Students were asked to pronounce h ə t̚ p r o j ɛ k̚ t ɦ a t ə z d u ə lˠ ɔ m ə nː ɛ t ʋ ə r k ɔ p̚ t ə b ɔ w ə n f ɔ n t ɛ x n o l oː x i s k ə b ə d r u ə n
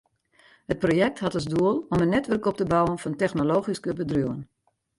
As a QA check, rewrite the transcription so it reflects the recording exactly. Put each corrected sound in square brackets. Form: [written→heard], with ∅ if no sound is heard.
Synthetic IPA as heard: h ə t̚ p r o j ɛ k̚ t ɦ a t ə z d u ə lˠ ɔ m ə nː ɛ t ʋ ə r k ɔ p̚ t ə b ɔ w ə n f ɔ n t ɛ x n o l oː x i s k ə b ə d r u ə n

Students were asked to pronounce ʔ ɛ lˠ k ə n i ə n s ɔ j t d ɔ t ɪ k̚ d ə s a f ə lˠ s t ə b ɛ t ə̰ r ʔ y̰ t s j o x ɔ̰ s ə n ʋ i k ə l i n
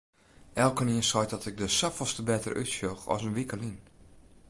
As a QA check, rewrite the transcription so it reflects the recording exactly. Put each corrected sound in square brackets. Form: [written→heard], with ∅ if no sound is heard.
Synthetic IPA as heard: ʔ ɛ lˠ k ə n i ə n s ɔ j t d ɔ t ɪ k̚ d ə s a f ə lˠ s t ə b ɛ t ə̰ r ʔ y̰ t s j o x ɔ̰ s ə n ʋ i k ə l i n

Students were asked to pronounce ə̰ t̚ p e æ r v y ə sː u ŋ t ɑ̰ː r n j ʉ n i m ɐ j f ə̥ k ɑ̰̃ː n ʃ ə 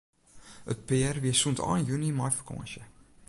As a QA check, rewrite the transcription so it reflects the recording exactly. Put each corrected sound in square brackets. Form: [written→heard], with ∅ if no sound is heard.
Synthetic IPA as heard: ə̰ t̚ p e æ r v [y→i] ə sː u [ŋ→n] t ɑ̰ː [r→∅] n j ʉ n i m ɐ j f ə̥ k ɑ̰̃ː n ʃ ə

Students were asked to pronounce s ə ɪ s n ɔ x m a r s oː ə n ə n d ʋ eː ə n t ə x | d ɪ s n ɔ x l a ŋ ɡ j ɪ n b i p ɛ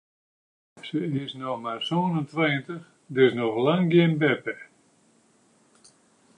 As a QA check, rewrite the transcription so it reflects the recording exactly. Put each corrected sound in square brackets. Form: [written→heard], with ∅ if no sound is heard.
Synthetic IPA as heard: s ə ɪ s n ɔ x m a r s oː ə n ə n [d→t] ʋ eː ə n t ə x | d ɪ s n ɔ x l a ŋ ɡ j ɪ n b [i→ɛ] p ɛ

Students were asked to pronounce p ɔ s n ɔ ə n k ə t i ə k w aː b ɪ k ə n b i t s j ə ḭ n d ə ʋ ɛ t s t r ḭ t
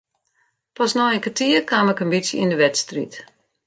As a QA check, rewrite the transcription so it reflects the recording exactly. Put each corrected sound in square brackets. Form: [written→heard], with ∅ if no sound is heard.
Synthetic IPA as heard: p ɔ s n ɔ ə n k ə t i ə k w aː [b→m] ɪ k ə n b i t s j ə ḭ n d ə ʋ ɛ t s t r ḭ t

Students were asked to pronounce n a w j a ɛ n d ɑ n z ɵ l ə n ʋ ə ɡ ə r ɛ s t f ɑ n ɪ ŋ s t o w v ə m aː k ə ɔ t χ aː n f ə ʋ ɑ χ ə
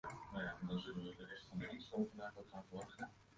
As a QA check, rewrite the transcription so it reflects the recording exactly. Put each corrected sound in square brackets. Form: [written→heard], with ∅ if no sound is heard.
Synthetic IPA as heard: n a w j a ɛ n d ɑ n z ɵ l ə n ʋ ə [ɡ→d] ə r ɛ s t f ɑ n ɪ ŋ s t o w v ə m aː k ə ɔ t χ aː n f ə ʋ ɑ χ ə

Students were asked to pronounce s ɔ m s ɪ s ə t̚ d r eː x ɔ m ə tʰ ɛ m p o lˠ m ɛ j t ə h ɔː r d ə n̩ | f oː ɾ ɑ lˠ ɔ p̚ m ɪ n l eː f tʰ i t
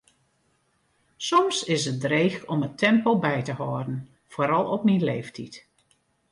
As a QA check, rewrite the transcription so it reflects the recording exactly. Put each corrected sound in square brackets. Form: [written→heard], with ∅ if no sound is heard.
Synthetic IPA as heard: s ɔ m s ɪ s ə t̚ d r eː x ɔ m ə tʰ ɛ m p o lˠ [m→b] ɛ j t ə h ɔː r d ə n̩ | f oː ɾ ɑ lˠ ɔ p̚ m [ɪ→i] n l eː f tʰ i t

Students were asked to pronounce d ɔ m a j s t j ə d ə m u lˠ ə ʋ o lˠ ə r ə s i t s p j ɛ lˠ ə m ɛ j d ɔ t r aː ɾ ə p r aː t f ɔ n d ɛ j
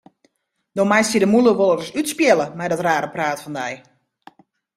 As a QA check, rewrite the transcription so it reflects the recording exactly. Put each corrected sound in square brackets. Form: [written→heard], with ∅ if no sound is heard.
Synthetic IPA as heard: d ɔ m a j s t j ə d ə m u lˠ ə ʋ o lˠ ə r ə s [i→y] t s p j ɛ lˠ ə m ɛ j d ɔ t r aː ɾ ə p r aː t f ɔ n d ɛ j

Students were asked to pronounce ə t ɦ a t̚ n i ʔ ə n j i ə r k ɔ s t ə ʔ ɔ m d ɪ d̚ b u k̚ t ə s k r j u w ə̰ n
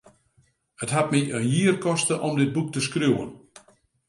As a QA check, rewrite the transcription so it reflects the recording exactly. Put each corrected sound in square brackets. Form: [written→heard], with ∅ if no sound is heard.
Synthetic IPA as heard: ə t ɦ a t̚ [n→m] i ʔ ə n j i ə r k ɔ s t ə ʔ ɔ m d ɪ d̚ b u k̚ t ə s k r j u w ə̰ n

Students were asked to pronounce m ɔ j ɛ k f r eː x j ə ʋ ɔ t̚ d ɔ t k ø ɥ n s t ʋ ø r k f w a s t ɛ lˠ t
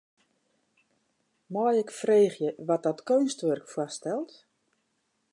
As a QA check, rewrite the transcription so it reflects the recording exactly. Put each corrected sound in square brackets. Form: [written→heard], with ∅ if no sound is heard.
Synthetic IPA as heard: m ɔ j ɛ k f r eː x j ə ʋ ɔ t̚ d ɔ t k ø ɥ n s t ʋ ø r k f w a s t ɛ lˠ t

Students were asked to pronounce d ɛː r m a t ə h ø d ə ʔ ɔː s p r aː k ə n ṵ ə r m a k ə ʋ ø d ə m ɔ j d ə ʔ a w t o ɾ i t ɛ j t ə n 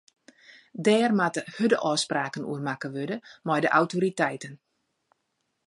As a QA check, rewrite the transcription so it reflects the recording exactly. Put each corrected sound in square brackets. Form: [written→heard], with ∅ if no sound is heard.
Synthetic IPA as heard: d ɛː r m a t ə h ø d ə ʔ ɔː s p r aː k ə n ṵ ə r m a k ə ʋ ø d ə m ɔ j d ə ʔ a w t o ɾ i t ɛ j t ə n

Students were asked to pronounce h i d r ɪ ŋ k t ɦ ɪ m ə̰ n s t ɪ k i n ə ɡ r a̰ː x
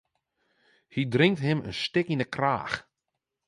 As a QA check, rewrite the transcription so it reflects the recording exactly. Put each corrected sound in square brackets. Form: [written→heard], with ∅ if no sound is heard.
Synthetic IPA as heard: h i d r ɪ ŋ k t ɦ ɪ m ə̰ n s t ɪ k i n ə [ɡ→k] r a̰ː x

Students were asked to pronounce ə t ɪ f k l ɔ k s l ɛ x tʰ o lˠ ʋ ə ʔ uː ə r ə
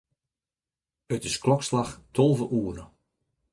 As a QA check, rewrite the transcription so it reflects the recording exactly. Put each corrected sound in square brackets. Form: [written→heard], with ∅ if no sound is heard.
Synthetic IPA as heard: ə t ɪ [f→s] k l ɔ k s l [ɛ→a] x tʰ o lˠ [ʋ→v] ə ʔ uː ə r ə

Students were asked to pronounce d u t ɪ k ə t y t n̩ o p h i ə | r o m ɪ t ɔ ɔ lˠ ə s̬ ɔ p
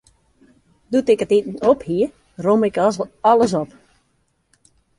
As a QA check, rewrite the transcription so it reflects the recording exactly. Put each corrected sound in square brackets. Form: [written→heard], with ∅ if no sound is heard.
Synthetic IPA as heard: d u t ɪ k ə t [y→i] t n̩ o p h i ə | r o m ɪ [t→k] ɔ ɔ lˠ ə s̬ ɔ p

